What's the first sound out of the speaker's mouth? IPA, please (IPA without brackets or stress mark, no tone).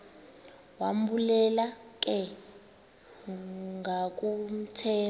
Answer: w